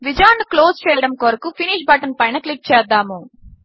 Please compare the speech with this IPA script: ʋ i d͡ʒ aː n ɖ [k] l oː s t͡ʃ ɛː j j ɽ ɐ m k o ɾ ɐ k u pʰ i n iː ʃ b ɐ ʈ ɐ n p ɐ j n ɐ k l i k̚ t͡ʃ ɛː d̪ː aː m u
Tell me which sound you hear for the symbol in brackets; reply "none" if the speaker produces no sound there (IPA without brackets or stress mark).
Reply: k